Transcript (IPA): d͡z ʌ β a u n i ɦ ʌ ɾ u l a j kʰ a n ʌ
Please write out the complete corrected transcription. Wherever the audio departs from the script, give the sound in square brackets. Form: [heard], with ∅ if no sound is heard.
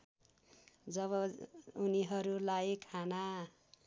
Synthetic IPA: d͡z ʌ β [ʌ] u n i ɦ ʌ ɾ u l a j kʰ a n [a]